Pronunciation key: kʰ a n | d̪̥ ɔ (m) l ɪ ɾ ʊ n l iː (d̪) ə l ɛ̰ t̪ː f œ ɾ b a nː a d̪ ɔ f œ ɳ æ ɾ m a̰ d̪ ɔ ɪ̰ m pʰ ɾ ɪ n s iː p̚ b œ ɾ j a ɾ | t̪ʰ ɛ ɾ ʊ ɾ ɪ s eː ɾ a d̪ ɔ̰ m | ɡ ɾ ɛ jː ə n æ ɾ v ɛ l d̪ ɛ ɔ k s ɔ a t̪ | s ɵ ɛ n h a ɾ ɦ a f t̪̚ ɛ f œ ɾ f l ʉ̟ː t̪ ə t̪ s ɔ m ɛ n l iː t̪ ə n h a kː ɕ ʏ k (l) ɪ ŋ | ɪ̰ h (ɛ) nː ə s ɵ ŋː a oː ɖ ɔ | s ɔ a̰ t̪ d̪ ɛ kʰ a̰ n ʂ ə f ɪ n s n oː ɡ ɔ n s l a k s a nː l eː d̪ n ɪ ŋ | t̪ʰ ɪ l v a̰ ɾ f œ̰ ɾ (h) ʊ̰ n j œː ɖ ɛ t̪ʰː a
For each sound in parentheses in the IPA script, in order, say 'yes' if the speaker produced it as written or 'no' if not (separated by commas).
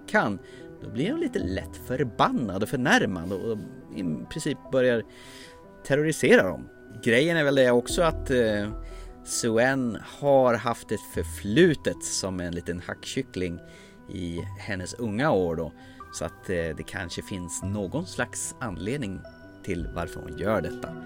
no, no, yes, yes, yes